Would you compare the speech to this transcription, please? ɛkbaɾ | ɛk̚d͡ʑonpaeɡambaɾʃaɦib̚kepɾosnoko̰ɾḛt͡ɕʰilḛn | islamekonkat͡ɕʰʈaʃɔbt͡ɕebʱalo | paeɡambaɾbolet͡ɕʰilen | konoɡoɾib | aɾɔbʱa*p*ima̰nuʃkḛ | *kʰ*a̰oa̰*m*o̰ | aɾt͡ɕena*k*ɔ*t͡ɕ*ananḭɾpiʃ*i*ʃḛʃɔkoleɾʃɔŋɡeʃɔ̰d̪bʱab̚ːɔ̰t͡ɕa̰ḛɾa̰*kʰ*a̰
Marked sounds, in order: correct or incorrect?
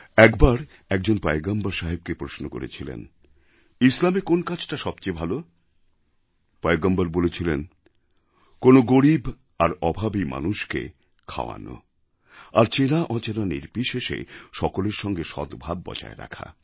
incorrect: b, correct, incorrect: n, incorrect: ʔ, correct, incorrect: e, correct

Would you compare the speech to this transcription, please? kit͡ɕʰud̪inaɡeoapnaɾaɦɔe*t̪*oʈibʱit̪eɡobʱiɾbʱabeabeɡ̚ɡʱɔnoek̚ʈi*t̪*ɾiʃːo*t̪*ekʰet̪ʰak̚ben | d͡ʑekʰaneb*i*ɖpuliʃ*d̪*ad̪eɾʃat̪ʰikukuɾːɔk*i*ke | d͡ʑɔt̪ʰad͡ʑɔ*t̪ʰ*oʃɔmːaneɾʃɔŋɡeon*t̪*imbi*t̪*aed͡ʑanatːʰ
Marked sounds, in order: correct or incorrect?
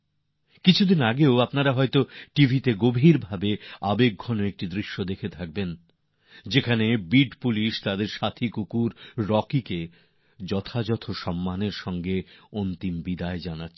correct, incorrect: d̪, incorrect: d̪, correct, incorrect: t̪, correct, correct, correct, incorrect: d̪

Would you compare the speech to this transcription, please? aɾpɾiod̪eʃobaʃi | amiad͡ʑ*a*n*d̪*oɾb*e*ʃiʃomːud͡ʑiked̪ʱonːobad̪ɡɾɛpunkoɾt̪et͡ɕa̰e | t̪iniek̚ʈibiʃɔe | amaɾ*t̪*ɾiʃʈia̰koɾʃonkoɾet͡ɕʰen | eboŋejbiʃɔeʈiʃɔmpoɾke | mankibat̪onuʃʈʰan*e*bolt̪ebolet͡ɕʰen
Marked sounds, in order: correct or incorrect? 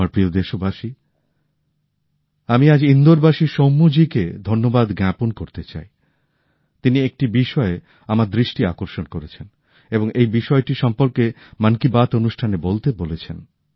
incorrect: i, correct, incorrect: a, incorrect: d̪, correct

